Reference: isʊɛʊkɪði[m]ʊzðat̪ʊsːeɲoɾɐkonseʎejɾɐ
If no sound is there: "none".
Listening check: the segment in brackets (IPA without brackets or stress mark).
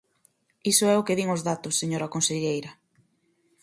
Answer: ŋ